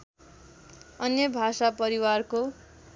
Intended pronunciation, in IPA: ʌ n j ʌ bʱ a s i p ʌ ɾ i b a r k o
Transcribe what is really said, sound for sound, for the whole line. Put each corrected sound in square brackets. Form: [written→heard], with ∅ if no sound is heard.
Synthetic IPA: ʌ n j ʌ bʱ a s [i→a] p ʌ ɾ i [b→w] a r k o